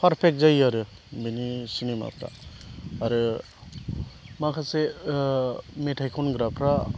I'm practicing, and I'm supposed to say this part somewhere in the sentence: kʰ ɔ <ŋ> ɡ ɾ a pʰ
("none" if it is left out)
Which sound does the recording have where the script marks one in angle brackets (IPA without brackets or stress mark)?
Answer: n